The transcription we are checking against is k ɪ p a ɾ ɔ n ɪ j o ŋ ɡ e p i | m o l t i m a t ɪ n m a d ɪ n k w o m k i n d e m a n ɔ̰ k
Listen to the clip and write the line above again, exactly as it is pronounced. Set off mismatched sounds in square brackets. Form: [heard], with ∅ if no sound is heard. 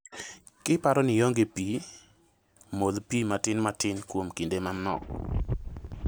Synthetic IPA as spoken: k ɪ p a ɾ ɔ n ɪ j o ŋ ɡ e p i | m o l [p] i m a t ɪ n m a [t] ɪ n k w o m k i n d e m a n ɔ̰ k

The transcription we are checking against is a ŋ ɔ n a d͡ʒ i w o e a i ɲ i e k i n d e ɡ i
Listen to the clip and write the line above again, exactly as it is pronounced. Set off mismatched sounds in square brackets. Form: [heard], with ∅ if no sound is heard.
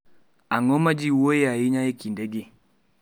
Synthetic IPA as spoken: a ŋ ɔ [m] a d͡ʒ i w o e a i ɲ [a] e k i n d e ɡ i

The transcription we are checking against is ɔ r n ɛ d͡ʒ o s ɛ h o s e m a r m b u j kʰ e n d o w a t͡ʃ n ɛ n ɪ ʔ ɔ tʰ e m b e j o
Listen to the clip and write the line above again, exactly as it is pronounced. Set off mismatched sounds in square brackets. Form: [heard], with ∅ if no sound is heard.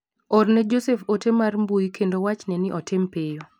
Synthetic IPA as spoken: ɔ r n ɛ d͡ʒ o s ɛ [f] o [t] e m a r m b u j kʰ e n d o w a t͡ʃ n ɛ n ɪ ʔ ɔ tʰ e m [p] e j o

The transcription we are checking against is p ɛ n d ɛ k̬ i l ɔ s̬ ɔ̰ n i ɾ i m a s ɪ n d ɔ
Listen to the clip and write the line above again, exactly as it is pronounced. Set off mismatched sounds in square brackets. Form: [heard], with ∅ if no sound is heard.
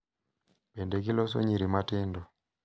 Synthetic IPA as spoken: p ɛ n d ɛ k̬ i l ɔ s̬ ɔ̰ [ɲ] i ɾ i m a [t] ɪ n d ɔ

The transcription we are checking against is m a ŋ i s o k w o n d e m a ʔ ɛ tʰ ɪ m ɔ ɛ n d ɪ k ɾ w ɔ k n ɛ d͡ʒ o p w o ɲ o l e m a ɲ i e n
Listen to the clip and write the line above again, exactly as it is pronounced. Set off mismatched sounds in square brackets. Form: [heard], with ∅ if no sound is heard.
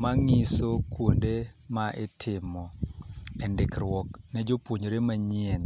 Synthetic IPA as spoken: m a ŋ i s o k w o n d e m a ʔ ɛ tʰ ɪ m ɔ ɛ n d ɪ k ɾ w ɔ k n ɛ d͡ʒ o p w o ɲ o [ɾ] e m a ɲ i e n

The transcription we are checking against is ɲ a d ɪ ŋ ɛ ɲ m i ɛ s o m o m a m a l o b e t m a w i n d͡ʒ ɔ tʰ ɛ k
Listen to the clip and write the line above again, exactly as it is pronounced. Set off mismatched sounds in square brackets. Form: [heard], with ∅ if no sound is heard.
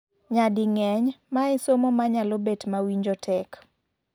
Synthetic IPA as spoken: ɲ a d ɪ ŋ ɛ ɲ m [a] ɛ s o m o m a [ɲ] a l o b e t m a w i [ɲ] d͡ʒ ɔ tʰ ɛ k

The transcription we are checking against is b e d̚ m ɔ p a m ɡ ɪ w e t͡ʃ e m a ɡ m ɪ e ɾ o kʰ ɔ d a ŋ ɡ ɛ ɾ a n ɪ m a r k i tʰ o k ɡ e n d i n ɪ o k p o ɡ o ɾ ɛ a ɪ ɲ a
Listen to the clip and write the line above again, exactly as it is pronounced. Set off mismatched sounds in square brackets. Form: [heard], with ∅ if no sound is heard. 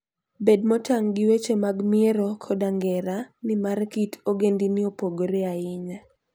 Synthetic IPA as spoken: b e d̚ m ɔ [t] a [ŋ] ɡ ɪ w e t͡ʃ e m a ɡ m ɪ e ɾ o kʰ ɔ d a ŋ ɡ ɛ ɾ a n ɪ m a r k i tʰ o [∅] ɡ e n d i n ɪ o [∅] p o ɡ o ɾ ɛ a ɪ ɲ a

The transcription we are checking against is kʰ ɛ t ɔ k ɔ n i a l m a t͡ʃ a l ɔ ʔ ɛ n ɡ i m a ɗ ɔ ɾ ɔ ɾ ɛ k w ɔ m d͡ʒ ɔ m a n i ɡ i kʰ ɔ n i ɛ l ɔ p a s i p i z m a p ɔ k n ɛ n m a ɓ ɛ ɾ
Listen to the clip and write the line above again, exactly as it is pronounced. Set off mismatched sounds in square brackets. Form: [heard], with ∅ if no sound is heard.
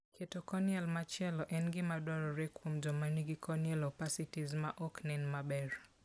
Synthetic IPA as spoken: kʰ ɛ t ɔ k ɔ n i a l m a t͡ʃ [ɛ] l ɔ ʔ ɛ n ɡ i m a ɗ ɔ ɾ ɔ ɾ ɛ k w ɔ m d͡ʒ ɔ m a n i ɡ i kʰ ɔ n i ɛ l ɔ p a s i [t] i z m a [ʔ] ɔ k n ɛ n m a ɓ ɛ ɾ

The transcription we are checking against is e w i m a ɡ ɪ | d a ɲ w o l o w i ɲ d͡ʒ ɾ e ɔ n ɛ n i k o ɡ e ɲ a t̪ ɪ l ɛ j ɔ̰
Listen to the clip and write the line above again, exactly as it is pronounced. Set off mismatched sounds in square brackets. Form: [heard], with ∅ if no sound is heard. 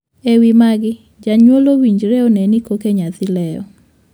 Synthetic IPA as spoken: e w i m a ɡ ɪ | [d͡ʒ] a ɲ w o l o w i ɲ d͡ʒ ɾ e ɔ n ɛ n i k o [k] e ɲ a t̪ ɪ l ɛ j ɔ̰

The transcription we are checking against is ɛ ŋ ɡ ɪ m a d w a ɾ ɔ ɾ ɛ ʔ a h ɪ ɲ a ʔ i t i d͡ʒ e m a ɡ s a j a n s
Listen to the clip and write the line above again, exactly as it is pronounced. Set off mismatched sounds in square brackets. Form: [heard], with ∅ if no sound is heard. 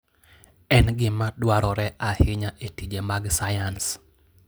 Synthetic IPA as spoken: ɛ [n] ɡ ɪ m a d w a ɾ ɔ ɾ ɛ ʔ a h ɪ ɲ a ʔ [e] t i d͡ʒ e m a ɡ s a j a n s

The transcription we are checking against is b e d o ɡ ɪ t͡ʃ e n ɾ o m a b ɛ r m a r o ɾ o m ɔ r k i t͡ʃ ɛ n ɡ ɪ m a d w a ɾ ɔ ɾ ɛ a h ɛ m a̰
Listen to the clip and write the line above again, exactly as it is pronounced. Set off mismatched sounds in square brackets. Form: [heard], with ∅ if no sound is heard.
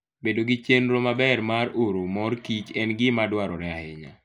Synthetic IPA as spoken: b e d o ɡ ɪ t͡ʃ e n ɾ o m a b ɛ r m a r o ɾ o m ɔ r k i t͡ʃ ɛ n ɡ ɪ m a d w a ɾ ɔ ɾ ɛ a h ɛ [ɲ] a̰

